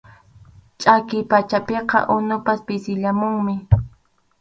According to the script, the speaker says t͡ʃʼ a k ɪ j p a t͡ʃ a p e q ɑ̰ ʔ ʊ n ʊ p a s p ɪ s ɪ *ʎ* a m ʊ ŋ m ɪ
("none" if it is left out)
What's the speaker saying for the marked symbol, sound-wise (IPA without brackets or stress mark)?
ʎ